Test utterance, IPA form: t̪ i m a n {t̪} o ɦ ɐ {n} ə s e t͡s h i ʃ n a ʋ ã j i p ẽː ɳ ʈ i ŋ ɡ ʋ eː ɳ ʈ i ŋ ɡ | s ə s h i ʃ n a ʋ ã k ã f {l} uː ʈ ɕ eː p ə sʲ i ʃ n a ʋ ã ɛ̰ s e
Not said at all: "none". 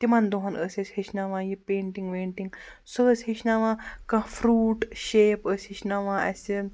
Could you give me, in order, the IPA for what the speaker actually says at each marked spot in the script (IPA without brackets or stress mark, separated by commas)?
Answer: d̪, n, ɾ